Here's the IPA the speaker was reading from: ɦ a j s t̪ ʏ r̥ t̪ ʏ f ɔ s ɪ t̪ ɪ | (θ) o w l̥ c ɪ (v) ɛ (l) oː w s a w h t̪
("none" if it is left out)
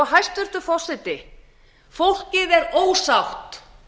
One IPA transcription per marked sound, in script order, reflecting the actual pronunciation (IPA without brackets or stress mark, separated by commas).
f, ð, ɾ